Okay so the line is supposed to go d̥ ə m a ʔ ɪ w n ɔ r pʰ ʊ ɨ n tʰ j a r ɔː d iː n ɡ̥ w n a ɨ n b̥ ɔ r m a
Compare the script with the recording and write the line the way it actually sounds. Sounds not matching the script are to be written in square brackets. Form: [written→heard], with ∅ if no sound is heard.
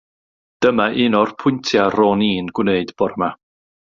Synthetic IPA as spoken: d̥ ə m a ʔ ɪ [w→∅] n ɔ r pʰ ʊ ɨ n tʰ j a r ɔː [d→n] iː n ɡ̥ w n [a→e] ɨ [n→d] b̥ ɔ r m a